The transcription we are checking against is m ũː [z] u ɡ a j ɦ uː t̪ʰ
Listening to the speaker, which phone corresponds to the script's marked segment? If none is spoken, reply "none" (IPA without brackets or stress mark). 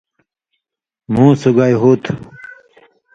s